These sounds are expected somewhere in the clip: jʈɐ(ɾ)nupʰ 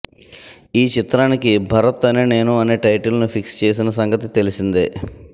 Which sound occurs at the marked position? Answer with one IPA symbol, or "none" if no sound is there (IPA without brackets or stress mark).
l